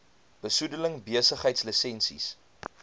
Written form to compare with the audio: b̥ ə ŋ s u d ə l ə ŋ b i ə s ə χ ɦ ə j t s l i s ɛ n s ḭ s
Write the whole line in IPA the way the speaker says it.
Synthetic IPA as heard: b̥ ə s u d ə l ə ŋ b i ə s ə χ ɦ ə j t s l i s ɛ n s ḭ s